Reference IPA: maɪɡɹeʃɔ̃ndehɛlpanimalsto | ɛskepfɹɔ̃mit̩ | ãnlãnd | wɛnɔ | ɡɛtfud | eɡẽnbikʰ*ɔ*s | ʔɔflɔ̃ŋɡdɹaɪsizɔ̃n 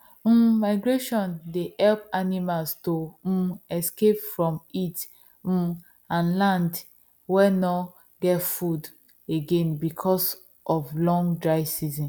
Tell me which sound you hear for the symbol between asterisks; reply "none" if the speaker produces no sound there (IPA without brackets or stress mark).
ɔ